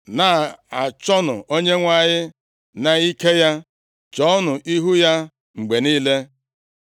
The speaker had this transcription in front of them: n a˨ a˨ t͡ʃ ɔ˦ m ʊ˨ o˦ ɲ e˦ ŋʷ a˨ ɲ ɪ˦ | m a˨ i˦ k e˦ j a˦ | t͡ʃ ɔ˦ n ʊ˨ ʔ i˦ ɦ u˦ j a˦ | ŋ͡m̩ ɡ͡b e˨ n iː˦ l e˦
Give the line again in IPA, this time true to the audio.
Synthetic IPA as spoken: n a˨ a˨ t͡ʃ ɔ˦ n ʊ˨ o˦ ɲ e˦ ŋʷ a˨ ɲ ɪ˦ | n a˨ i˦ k e˦ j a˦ | t͡ʃ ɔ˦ n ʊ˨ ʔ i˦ ɦ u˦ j a˦ | ŋ͡m̩ ɡ͡b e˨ n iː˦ l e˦